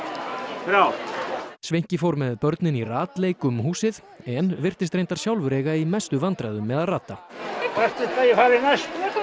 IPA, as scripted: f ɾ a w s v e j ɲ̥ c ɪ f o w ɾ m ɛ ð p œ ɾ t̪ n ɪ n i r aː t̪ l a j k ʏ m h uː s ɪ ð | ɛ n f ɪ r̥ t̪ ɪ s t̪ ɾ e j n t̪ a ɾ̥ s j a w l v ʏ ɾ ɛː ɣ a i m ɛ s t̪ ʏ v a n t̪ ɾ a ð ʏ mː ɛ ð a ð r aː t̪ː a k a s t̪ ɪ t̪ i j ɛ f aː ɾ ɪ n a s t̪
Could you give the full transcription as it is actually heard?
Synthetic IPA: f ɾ a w s v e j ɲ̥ c ɪ f o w ɾ m ɛ ð p œ ɾ t̪ n ɪ n i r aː t̪ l e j k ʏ m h uː s ɪ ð | ɛ n v ɪ r̥ t̪ ɪ s t̪ ɾ e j n t̪ a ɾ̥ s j a w l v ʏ ɾ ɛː ɣ a i m ɛ s t̪ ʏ v a n t̪ ɾ a ð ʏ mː ɛ ð a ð r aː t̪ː a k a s t̪ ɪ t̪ a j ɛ f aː ɾ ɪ n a s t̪